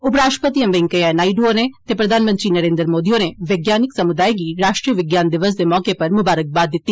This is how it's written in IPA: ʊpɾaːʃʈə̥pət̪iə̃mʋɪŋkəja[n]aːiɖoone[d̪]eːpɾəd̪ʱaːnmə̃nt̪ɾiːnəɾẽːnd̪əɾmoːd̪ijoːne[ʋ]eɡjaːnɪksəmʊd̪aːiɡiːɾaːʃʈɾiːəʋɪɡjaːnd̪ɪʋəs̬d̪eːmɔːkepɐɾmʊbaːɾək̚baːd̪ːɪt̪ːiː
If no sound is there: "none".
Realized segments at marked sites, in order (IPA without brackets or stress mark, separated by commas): n, t̪, ʋ